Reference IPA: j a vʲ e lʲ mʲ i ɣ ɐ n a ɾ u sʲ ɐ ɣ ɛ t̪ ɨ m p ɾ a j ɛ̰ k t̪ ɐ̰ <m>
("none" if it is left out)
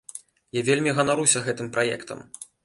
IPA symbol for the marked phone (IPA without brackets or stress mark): m